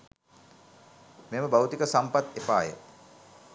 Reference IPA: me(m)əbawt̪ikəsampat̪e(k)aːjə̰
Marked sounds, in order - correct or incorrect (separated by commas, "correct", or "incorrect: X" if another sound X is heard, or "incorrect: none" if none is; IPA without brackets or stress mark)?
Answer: correct, incorrect: p